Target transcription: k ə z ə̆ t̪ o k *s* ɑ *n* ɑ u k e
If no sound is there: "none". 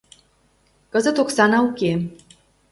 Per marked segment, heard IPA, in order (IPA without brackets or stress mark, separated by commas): s, n